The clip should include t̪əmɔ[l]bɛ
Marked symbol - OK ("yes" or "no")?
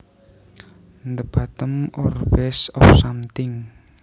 no